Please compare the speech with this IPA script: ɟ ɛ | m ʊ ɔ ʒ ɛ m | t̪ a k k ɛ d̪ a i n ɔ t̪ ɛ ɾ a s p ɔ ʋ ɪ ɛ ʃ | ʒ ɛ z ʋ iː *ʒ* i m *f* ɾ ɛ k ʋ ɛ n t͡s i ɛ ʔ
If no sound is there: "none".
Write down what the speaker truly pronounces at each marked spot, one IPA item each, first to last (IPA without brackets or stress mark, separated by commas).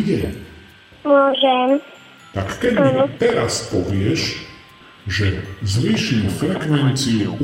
ʃ, f